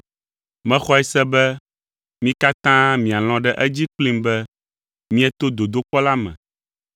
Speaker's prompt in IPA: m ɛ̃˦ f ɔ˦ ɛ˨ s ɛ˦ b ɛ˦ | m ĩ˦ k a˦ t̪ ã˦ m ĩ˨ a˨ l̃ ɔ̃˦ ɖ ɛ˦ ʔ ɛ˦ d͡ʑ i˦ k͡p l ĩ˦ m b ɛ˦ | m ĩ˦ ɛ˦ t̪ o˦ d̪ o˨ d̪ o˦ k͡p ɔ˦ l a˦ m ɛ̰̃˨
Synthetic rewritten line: m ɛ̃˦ x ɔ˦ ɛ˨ s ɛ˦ b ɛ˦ | m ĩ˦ k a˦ t̪ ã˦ m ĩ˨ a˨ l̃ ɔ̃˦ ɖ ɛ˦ ʔ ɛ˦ d͡ʑ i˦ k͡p l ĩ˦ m b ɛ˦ | m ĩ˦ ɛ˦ t̪ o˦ d̪ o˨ d̪ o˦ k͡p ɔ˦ l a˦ m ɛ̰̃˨